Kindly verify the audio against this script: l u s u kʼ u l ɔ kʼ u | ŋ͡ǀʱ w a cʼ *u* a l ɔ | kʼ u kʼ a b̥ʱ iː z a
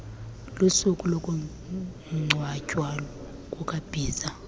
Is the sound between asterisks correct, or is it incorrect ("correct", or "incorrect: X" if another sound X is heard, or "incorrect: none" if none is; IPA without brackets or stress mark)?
incorrect: w